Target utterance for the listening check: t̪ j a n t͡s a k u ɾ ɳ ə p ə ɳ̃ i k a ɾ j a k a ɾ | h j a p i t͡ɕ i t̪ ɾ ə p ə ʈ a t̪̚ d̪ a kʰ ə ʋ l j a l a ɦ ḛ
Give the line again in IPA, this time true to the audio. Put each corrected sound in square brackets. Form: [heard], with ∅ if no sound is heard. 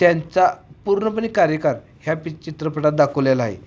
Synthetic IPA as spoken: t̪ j a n t͡s a [p] u ɾ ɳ ə p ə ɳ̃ i k a ɾ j [ə] k a ɾ | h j a p i t͡ɕ i t̪ ɾ ə p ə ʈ a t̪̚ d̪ a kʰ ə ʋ l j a l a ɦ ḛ

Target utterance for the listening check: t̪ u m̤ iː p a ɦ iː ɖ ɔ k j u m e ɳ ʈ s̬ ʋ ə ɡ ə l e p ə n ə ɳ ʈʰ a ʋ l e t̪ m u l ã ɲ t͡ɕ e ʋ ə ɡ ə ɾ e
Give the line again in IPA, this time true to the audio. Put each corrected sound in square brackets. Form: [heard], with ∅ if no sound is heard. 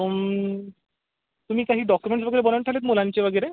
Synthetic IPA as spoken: t̪ u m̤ iː [k] a ɦ iː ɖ ɔ k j u m e ɳ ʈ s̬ ʋ ə ɡ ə [ɾ] e [b] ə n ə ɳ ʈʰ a [∅] l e t̪ m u l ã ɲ t͡ɕ e ʋ ə ɡ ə ɾ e

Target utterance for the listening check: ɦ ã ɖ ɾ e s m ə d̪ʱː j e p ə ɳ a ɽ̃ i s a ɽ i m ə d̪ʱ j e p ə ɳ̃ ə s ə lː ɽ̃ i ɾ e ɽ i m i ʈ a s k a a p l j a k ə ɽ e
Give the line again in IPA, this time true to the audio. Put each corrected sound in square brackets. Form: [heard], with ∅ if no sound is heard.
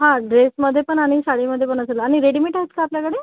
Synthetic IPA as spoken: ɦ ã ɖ ɾ e s m ə d̪ʱː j e p ə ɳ a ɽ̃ i s a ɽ i m ə d̪ʱ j e p ə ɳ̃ ə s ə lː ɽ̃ i ɾ e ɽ i m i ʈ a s k a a p l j a k ə ɽ e

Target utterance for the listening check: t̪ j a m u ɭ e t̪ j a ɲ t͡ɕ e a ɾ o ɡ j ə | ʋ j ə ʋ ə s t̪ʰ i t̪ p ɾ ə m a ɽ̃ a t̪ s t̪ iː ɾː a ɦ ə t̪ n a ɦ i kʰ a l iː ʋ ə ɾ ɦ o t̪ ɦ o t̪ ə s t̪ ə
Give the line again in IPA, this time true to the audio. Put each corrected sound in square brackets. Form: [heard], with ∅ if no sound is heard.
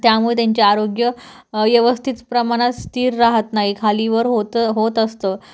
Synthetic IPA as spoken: t̪ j a m u ɭ e t̪ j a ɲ t͡ɕ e a ɾ o ɡ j ə | ʋ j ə ʋ ə s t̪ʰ i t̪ p ɾ ə m a ɽ̃ a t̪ s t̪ iː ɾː a ɦ ə t̪ n a ɦ i kʰ a l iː ʋ ə ɾ ɦ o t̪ ɦ o t̪ ə s t̪ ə

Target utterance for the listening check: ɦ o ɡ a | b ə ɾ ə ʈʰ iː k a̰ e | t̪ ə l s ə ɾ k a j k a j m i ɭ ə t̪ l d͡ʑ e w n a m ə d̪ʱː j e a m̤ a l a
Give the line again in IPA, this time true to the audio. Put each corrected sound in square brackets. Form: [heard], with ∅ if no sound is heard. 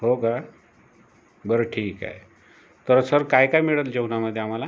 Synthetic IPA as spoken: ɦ o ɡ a | b ə ɾ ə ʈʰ iː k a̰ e | t̪ ə [ɾ] s ə ɾ k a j k a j m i ɭ ə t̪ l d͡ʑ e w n a m ə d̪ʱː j e a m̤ a l a

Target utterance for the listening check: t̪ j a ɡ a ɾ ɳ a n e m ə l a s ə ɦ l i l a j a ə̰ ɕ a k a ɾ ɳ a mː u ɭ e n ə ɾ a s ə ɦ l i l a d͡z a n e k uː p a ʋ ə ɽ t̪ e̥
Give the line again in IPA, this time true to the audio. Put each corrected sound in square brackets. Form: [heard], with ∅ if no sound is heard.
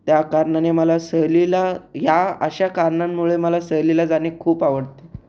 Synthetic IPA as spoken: t̪ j a [k] a ɾ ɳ a n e m ə l a s ə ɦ l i l a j a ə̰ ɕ a k a ɾ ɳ a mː u ɭ e [m] ə [l] a s ə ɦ l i l a d͡z a n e [kʰ] uː p a ʋ ə ɽ t̪ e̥

